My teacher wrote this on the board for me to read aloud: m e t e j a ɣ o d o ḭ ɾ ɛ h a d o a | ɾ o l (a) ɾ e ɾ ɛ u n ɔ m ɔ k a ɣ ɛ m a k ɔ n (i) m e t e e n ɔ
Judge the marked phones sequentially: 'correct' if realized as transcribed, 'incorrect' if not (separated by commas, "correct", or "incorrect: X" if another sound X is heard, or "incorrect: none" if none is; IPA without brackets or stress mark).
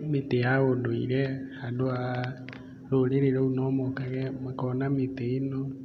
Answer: incorrect: e, incorrect: a